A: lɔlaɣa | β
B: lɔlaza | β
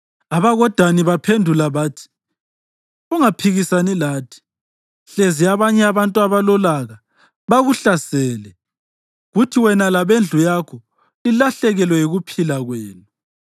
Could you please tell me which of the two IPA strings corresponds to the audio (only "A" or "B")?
A